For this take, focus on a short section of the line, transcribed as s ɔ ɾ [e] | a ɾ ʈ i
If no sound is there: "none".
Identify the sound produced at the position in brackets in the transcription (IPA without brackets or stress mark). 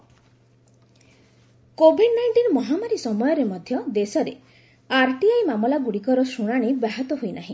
e